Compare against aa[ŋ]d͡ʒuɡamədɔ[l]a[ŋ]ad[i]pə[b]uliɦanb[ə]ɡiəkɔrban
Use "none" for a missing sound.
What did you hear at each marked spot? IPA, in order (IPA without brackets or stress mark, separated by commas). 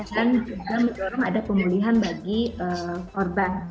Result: n, ɾ, ŋ, a, m, a